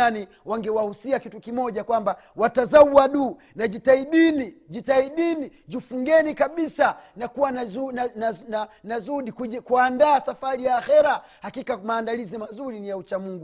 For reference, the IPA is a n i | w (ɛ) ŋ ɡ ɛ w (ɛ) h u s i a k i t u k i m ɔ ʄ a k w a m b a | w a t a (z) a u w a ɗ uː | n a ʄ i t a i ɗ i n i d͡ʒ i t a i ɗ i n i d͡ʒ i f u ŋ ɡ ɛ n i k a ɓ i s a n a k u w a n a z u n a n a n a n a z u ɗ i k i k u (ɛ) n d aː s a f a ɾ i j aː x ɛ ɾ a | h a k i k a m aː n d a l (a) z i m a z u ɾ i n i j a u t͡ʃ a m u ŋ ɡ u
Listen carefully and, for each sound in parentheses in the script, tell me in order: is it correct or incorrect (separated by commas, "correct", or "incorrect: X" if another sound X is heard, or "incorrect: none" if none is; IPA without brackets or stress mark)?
incorrect: a, incorrect: a, correct, incorrect: a, incorrect: i